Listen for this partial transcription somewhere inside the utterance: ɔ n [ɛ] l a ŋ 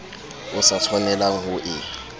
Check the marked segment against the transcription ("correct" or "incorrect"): correct